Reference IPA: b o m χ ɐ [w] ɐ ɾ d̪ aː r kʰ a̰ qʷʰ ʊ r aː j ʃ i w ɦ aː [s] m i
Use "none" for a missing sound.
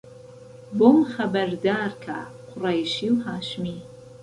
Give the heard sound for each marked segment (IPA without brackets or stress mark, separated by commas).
b, ʃ